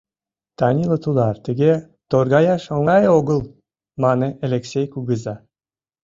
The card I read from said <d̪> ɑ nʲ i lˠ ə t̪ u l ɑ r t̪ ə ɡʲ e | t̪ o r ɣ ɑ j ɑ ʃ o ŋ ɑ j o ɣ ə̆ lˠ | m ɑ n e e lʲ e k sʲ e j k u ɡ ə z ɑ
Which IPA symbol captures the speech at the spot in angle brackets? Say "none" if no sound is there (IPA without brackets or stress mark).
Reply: t̪